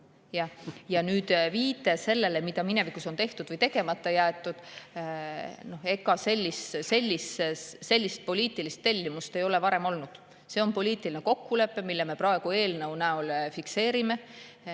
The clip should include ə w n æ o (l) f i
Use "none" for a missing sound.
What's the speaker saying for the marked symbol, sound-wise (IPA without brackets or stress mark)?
l